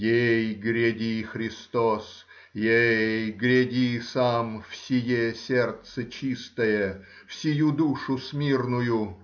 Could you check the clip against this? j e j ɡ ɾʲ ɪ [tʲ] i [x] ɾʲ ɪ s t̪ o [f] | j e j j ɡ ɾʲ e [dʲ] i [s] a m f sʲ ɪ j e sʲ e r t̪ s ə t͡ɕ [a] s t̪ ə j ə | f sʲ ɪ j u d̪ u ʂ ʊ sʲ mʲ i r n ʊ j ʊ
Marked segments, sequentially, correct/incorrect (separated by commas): incorrect, correct, incorrect, correct, correct, incorrect